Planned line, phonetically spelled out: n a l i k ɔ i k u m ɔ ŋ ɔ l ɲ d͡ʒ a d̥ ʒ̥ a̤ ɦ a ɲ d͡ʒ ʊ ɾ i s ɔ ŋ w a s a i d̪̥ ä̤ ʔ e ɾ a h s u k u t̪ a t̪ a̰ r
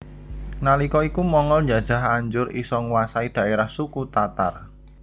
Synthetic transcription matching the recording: n a l i k ɔ i k u m ɔ ŋ ɔ l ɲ d͡ʒ a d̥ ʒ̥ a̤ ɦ a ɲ d͡ʒ ʊ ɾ i s ɔ ŋ w a s a i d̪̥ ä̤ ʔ e ɾ a h s u k u t̪ a t̪ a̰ r